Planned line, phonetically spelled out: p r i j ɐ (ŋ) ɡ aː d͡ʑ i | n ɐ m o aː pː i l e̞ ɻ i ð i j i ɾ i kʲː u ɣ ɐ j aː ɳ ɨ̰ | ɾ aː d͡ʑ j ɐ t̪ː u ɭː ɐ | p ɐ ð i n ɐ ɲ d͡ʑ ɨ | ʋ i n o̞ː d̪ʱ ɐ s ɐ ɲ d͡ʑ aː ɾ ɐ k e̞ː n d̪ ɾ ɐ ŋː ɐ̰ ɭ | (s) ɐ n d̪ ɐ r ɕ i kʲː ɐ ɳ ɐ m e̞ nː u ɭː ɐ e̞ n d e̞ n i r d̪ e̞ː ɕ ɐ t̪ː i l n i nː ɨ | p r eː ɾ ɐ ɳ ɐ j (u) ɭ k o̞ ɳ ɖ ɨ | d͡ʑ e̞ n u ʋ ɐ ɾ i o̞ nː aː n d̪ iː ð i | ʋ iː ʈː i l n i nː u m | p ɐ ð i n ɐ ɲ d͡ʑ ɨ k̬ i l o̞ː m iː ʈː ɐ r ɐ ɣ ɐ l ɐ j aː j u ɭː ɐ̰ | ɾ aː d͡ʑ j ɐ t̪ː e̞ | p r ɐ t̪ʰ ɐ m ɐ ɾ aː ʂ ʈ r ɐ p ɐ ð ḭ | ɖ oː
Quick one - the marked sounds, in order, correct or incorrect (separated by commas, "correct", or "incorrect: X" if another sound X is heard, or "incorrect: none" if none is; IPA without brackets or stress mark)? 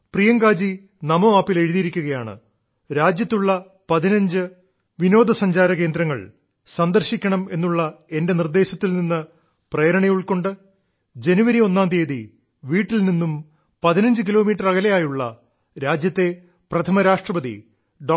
correct, correct, correct